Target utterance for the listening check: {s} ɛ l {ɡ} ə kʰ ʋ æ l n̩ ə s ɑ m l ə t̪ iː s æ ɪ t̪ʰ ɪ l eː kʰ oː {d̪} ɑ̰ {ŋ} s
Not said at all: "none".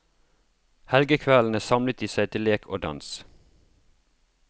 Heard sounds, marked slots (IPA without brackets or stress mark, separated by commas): h, ɡ, d̪, n